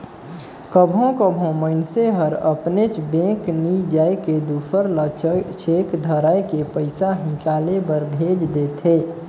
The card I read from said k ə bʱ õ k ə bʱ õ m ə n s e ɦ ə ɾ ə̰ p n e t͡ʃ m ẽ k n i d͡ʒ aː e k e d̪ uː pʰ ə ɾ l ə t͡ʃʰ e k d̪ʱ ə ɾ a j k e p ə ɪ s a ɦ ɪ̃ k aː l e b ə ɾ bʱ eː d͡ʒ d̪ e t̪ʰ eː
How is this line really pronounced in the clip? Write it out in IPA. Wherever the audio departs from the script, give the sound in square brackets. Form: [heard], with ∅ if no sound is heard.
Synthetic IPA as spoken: k ə bʱ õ k ə bʱ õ m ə n s e ɦ ə ɾ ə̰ p n e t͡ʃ [b] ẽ k n i d͡ʒ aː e k e d̪ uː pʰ ə ɾ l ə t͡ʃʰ e k d̪ʱ ə ɾ a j k e p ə ɪ s a ɦ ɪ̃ k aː l e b ə ɾ bʱ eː d͡ʒ d̪ e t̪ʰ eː